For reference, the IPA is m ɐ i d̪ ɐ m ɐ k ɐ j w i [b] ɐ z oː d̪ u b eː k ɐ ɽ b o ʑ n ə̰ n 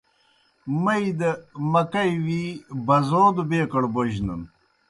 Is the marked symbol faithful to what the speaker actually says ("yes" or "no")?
yes